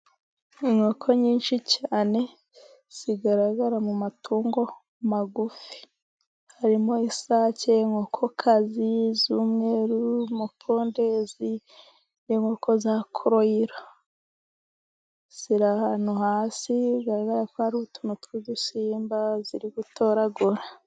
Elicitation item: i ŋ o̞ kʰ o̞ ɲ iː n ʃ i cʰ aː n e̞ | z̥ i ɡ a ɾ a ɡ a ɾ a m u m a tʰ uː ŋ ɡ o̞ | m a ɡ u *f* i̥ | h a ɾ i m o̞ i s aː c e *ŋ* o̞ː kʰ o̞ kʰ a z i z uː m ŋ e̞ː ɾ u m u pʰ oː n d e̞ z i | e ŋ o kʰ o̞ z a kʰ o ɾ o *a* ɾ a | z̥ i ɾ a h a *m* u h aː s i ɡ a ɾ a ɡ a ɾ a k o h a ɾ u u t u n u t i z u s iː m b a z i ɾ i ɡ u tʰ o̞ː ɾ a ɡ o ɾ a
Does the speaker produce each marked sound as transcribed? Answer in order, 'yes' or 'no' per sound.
yes, yes, no, no

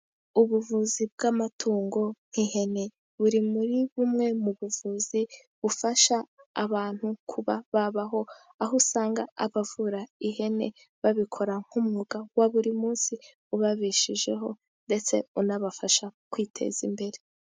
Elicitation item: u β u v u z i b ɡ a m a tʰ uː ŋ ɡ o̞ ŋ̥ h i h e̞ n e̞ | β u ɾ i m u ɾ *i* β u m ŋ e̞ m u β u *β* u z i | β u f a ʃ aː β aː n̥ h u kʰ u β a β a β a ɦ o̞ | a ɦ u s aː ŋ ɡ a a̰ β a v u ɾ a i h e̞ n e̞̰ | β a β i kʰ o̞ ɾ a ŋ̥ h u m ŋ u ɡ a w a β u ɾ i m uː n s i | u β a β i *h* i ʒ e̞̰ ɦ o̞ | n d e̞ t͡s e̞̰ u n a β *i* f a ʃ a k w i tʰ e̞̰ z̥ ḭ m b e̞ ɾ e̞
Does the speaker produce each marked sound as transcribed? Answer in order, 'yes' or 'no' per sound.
yes, no, no, no

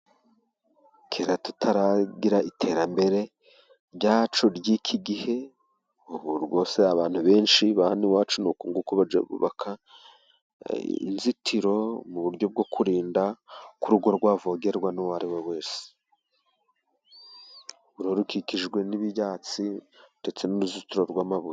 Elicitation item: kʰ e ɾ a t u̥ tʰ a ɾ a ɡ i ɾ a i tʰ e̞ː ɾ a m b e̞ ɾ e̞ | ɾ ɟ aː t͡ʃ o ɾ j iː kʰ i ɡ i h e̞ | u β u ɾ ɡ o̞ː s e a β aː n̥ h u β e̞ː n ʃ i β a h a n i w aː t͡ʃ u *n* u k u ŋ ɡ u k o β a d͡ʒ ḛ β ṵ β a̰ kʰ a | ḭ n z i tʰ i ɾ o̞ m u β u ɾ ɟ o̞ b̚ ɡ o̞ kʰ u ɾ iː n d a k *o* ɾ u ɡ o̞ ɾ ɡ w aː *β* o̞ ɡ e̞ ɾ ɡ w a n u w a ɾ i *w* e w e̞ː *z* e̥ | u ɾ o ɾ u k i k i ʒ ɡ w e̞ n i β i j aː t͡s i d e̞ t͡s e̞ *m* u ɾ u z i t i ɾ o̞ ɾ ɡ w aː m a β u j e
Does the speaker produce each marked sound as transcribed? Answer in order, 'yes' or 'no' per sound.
yes, no, no, yes, no, no

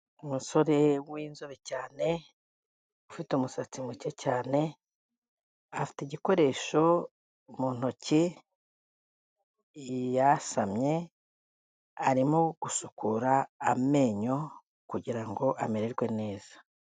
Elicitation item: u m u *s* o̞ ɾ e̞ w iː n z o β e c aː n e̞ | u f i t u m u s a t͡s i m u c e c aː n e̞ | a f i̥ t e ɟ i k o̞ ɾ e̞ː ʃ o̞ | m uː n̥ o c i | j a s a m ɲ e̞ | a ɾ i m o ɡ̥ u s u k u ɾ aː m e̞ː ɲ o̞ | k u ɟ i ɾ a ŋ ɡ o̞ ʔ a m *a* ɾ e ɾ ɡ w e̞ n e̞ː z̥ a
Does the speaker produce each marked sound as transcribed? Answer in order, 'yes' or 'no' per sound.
yes, no

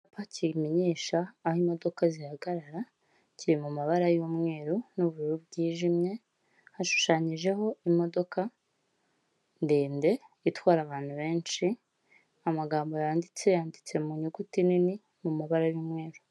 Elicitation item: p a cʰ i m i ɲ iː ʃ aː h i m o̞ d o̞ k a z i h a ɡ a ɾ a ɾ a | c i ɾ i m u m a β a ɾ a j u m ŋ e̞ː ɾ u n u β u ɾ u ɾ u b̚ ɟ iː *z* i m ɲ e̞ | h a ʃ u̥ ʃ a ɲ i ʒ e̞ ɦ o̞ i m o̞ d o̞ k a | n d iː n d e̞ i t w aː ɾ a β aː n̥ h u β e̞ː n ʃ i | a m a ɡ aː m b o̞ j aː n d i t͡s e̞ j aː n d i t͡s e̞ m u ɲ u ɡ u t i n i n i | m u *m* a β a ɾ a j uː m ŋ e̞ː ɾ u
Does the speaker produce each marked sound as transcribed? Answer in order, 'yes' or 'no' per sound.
no, yes

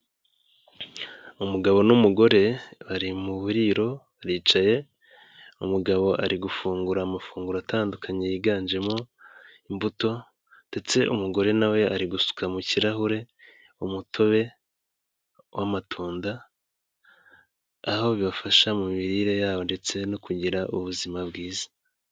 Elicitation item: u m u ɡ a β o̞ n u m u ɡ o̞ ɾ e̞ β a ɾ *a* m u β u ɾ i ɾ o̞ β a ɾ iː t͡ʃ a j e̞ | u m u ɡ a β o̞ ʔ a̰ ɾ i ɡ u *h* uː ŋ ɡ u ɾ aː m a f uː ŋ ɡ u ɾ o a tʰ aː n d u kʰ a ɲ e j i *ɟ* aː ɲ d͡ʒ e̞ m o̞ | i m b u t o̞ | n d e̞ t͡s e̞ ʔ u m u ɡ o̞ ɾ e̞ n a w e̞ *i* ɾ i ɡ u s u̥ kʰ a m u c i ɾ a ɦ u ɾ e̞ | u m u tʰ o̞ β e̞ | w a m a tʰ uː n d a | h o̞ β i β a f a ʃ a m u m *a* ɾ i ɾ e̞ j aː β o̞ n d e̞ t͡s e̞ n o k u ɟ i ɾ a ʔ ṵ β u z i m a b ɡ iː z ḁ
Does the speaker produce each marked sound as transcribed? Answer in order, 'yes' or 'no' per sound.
no, no, no, no, no

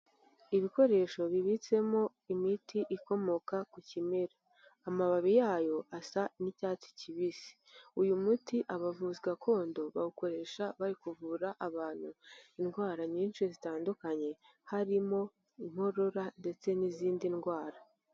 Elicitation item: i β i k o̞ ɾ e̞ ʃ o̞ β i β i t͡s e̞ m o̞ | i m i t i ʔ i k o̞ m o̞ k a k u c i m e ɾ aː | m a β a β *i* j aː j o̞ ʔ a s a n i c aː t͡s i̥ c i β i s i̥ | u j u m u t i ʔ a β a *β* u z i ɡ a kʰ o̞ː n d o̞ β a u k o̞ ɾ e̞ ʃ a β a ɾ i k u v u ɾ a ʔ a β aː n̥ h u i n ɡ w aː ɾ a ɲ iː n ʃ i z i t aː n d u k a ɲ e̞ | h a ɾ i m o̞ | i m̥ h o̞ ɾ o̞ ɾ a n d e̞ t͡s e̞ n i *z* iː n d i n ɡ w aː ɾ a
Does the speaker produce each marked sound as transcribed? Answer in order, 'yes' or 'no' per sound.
yes, no, yes

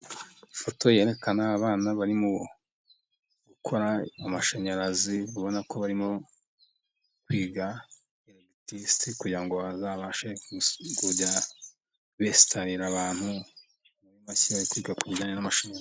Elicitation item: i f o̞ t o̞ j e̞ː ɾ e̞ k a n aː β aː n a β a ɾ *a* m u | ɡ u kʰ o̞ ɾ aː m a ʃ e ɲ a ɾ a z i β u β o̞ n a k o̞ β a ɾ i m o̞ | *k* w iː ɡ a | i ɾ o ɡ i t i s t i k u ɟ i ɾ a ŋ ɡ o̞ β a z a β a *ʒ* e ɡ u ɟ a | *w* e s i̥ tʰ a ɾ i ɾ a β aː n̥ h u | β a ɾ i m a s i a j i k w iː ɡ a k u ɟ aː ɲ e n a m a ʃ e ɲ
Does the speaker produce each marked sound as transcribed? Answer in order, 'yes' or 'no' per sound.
no, yes, no, no

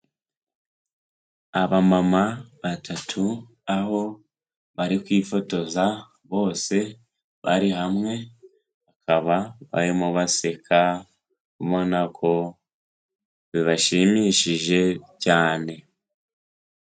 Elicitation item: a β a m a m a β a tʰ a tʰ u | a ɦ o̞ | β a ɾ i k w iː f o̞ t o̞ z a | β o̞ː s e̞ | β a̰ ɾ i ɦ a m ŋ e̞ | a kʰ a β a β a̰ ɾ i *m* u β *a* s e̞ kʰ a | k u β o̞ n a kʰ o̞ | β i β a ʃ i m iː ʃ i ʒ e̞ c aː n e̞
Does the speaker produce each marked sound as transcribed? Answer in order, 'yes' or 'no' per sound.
yes, yes

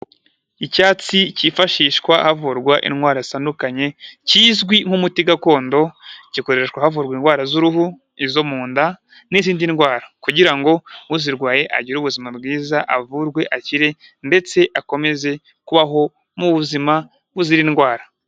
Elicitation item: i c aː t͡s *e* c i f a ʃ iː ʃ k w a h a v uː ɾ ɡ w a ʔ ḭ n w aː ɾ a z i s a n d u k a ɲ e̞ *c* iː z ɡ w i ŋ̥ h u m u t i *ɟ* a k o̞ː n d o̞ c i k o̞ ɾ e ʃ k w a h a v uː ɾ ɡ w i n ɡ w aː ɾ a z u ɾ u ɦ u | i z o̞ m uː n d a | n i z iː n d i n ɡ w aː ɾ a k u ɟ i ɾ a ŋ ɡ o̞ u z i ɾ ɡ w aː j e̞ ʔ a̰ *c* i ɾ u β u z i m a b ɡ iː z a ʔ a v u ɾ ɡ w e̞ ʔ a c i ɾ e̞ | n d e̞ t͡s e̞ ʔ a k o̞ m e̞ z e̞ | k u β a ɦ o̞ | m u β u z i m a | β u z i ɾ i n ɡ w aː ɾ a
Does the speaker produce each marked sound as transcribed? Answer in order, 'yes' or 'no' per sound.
no, yes, no, no

